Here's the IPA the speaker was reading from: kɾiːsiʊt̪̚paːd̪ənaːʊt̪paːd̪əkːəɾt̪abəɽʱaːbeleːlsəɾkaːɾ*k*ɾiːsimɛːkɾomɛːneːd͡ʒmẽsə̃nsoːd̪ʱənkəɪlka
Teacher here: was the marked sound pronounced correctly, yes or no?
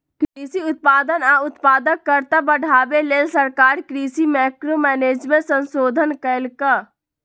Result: yes